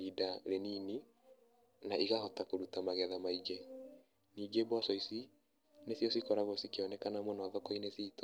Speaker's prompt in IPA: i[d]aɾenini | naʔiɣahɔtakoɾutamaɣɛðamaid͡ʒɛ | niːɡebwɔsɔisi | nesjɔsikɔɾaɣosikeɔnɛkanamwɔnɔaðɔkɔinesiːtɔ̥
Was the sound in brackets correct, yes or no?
yes